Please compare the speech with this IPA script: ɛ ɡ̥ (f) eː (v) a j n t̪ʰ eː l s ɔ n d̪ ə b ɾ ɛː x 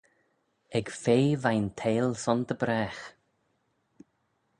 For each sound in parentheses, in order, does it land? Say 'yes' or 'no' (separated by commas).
yes, yes